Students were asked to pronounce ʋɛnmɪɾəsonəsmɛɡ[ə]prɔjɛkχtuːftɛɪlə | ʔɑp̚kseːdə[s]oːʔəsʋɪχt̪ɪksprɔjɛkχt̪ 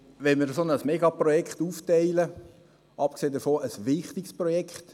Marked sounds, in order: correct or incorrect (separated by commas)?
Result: incorrect, incorrect